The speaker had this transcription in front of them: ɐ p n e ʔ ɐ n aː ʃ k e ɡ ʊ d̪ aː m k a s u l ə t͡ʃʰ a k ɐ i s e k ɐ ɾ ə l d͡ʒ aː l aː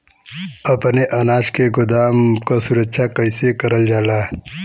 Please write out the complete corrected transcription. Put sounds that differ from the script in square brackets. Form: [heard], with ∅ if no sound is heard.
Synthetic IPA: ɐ p n e ʔ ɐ n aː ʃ k e ɡ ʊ d̪ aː m k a s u [ɾ] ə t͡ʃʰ a k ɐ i s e k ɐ ɾ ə l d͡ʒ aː l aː